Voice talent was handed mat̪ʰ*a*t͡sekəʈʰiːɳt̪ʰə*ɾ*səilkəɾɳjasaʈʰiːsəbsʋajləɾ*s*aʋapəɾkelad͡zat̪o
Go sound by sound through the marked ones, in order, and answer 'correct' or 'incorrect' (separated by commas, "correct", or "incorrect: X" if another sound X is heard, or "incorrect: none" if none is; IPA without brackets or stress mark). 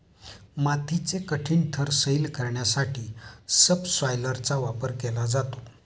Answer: incorrect: i, correct, incorrect: t͡s